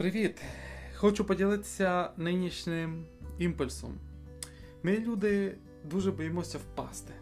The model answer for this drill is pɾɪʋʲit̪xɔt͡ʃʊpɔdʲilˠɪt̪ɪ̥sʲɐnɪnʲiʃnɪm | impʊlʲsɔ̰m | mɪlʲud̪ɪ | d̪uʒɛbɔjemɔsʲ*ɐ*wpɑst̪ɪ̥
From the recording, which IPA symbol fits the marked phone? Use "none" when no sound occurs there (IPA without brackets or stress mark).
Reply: ɐ